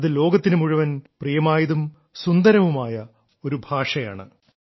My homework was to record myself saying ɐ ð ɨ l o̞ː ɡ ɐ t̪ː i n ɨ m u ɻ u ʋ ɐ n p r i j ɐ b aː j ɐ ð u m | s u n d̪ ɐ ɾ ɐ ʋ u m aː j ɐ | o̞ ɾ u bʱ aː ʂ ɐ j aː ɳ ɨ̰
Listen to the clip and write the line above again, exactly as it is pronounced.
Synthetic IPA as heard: ɐ ð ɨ l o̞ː ɡ ɐ t̪ː i n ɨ m u ɻ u ʋ ɐ n p r i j ɐ m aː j ɐ ð u m | s u n d̪ ɐ ɾ ɐ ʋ u m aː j ɐ | o̞ ɾ u bʱ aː ʂ ɐ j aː ɳ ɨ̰

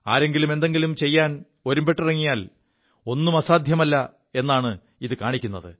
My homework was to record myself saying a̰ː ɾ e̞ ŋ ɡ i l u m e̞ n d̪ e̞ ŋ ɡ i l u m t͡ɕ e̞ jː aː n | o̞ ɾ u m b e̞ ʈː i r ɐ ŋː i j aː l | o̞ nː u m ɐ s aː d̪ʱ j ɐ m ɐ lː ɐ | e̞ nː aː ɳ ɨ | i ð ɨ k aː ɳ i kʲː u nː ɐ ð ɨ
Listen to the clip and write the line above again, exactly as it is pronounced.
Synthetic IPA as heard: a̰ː ɾ e̞ ŋ ɡ i l u m e̞ n d̪ e̞ ŋ ɡ i l u m t͡ɕ e̞ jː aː n | o̞ ɾ u m b e̞ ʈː i r ɐ ŋː i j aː l | o̞ nː u m ɐ s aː d̪ʱ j ɐ m ɐ lː ɐ | e̞ nː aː ɳ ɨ | i ð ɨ k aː ɳ i kʲː u nː ɐ ð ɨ

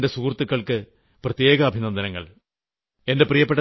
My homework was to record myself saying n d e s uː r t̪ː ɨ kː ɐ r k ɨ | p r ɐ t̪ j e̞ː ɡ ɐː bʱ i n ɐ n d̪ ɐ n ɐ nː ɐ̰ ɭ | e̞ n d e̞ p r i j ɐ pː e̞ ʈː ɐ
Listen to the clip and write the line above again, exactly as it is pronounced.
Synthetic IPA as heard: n d e s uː r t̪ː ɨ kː ɐ ɭ k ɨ | p r ɐ t̪ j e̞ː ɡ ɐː bʱ i n ɐ n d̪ ɐ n ɐ ŋː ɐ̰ ɭ | e̞ n d e̞ p r i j ɐ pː e̞ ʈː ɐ

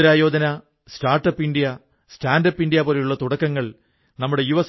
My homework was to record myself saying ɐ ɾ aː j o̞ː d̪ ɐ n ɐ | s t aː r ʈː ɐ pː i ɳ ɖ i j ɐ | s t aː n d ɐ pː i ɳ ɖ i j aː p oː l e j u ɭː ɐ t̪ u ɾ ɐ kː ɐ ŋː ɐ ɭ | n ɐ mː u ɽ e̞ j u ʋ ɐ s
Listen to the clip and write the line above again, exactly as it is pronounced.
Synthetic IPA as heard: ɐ ɾ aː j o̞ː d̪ ɐ n ɐ | s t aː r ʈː ɐ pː i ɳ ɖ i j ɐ | s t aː n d ɐ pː i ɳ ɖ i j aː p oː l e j u ɭː ɐ t̪ u ɽ ɐ kː ɐ ŋː ɐ ɭ | n ɐ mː u ɽ e̞ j u ʋ ɐ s

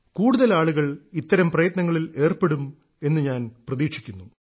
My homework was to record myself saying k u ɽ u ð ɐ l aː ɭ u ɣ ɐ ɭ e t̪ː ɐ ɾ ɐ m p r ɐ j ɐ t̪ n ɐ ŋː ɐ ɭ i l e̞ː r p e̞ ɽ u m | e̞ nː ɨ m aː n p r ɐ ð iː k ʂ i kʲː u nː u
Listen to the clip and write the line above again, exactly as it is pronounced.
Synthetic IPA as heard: k uː ɽ u ð ɐ l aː ɭ u ɣ ɐ ɭ i t̪ː ɐ ɾ ɐ m p r ɐ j ɐ t̪ n ɐ ŋː ɐ ɭ i l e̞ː r p e̞ ɽ u m | e̞ nː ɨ ɲ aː n p r ɐ ð iː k ʂ i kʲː u nː u

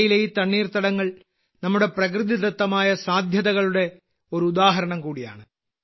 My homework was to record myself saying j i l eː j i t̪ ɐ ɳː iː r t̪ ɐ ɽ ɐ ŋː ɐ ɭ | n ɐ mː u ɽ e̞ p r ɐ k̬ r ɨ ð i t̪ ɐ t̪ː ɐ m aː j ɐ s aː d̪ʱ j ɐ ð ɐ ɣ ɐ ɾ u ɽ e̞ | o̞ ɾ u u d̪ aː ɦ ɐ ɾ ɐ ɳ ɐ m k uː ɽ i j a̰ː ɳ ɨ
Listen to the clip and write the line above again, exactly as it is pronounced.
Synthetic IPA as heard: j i l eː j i t̪ ɐ ɳː iː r t̪ ɐ ɽ ɐ ŋː ɐ ɭ | n ɐ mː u ɽ e̞ p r ɐ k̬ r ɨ ð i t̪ ɐ t̪ː ɐ m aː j ɐ s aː d̪ʱ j ɐ ð ɐ ɣ ɐ ɭ u ɽ e̞ | o̞ ɾ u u d̪ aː ɦ ɐ ɾ ɐ ɳ ɐ m k uː ɽ i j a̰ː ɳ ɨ

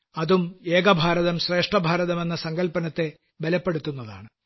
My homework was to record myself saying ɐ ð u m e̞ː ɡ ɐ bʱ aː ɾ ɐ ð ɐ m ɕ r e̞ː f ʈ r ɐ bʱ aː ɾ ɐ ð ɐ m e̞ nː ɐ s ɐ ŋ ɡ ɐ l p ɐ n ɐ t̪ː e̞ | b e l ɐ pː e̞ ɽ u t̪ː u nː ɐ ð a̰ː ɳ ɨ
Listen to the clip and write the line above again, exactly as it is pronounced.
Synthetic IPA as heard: ɐ ð u m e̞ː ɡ ɐ bʱ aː ɾ ɐ ð ɐ m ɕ r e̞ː ʂ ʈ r ɐ bʱ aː ɾ ɐ ð ɐ m e̞ nː ɐ s ɐ ŋ ɡ ɐ l p ɐ n ɐ t̪ː e̞ | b e l ɐ pː e̞ ɽ u t̪ː u nː ɐ ð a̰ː ɳ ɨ

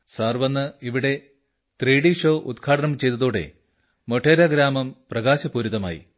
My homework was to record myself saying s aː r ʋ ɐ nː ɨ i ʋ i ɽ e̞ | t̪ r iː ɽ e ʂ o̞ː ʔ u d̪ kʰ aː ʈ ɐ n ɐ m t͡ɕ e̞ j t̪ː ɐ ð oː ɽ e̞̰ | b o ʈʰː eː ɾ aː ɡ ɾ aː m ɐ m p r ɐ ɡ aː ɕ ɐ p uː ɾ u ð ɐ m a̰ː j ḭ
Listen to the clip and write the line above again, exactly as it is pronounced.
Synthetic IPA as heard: s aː r ʋ ɐ nː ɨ i ʋ i ɽ e̞ | t̪ r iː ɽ i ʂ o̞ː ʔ u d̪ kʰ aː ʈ ɐ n ɐ m t͡ɕ e̞ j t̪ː ɐ ð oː ɽ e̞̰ | m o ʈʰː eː ɾ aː ɡ ɾ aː m ɐ m p r ɐ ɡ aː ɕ ɐ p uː ɾ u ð ɐ m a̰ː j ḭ

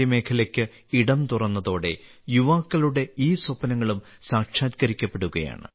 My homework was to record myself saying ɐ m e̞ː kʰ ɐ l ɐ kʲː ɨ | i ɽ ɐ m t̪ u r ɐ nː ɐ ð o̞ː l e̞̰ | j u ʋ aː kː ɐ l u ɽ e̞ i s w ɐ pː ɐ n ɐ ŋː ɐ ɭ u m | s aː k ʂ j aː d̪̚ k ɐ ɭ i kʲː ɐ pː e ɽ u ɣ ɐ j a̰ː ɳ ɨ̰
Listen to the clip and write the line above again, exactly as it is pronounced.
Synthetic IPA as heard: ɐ m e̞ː kʰ ɐ l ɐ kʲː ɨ | i ɽ ɐ m t̪ u r ɐ nː ɐ ð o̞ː ɽ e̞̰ | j u ʋ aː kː ɐ l u ɽ e̞ iː s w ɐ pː ɐ n ɐ ŋː ɐ ɭ u m | s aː k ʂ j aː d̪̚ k ɐ ɾ i kʲː ɐ pː e ɽ u ɣ ɐ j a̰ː ɳ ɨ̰

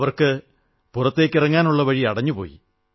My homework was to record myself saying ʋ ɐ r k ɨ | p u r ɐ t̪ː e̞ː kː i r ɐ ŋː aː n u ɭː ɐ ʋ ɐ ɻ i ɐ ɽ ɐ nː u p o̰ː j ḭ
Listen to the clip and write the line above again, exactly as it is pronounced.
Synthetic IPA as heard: ʋ ɐ r k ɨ | p u r ɐ t̪ː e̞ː kː i r ɐ ŋː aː n u ɭː ɐ ʋ ɐ ɻ i ɐ ɽ ɐ ɲː u p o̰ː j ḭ

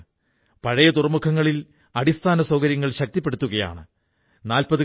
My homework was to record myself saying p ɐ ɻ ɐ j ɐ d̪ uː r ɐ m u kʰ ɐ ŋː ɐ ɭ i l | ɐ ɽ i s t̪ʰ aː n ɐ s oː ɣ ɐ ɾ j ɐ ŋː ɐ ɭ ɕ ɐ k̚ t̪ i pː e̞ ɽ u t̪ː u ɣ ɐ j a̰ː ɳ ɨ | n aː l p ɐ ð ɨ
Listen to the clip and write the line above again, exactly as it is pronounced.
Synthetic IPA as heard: p ɐ ɻ ɐ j ɐ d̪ u r ɐ m u kʰ ɐ ŋː ɐ ɭ i l | ɐ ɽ i s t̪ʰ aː n ɐ s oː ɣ ɐ ɾ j ɐ ŋː ɐ ɭ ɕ ɐ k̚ t̪ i pː e̞ ɽ u t̪ː u ɣ ɐ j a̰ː ɳ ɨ | n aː l p ɐ ð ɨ

